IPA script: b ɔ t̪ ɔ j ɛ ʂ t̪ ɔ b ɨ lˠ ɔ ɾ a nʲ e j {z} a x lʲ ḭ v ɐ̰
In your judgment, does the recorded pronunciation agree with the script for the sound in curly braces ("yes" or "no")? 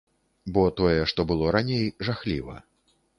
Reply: no